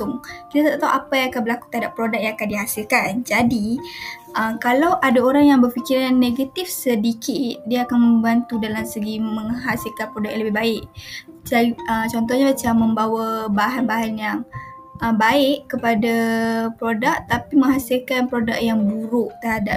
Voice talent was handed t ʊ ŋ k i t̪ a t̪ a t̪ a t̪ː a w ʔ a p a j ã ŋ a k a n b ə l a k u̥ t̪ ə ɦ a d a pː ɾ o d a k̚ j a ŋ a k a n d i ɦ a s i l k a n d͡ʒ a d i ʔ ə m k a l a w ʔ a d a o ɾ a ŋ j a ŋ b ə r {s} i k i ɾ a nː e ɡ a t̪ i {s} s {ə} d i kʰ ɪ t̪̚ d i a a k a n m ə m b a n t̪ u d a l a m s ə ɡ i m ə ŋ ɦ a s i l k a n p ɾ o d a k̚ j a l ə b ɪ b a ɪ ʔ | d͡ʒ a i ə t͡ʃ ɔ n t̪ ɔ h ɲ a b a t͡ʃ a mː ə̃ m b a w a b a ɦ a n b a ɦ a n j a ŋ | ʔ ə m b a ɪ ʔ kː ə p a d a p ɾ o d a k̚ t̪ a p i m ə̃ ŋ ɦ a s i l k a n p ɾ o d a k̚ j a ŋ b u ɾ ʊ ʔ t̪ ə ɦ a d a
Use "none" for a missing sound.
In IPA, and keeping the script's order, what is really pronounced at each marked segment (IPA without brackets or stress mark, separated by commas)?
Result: f, f, ə